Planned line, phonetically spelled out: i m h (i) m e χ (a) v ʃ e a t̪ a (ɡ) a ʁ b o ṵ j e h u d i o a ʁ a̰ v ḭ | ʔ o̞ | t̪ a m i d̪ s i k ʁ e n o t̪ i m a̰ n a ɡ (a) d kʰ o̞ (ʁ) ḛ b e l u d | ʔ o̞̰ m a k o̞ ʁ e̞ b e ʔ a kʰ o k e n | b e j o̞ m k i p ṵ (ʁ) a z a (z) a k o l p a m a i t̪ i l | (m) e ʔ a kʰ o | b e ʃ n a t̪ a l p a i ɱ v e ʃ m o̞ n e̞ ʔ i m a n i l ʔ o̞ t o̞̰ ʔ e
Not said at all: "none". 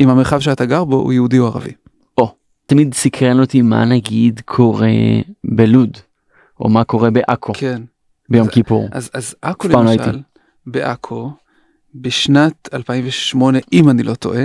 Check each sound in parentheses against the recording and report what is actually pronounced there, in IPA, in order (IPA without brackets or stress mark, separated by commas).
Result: a, a, ɡ, i, ʁ, ʁ, z, b